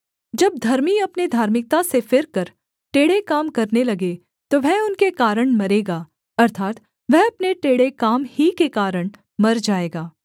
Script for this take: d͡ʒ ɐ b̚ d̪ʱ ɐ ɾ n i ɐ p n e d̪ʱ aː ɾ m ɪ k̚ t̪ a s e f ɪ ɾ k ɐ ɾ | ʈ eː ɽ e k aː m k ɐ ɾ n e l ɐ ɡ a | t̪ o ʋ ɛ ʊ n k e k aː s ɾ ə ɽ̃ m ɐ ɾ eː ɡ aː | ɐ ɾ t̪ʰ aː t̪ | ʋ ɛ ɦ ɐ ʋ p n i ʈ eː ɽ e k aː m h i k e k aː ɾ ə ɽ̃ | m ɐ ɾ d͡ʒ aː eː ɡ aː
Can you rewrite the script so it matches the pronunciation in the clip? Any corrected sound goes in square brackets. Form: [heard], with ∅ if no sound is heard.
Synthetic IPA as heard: d͡ʒ ɐ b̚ d̪ʱ ɐ ɾ [m] i ɐ p n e d̪ʱ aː ɾ m ɪ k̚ t̪ a s e f ɪ ɾ k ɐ ɾ | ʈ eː ɽ e k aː m k ɐ ɾ n e l ɐ ɡ [e] | t̪ o ʋ ɛ ʊ n k e k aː [∅] ɾ ə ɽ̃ m ɐ ɾ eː ɡ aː | ɐ ɾ t̪ʰ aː t̪ | ʋ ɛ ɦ ɐ [∅] p n [e] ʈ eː ɽ e k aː m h i k e k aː ɾ ə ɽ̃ | m ɐ ɾ d͡ʒ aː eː ɡ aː